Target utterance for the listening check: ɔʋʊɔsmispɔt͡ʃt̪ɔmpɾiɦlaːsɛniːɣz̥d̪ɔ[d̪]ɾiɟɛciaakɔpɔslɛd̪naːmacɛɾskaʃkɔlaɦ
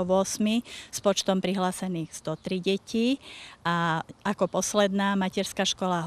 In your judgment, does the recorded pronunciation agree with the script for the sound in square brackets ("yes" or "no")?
no